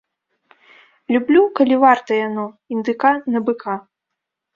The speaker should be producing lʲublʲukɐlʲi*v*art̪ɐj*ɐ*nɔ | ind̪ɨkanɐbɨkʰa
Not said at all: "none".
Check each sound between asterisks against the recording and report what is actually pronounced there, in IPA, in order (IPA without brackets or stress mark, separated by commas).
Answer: v, a